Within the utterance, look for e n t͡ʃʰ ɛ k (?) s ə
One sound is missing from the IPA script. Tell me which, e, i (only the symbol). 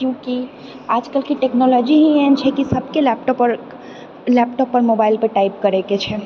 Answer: i